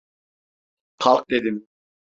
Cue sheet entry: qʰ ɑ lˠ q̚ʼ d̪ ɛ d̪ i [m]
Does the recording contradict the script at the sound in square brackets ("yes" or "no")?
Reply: no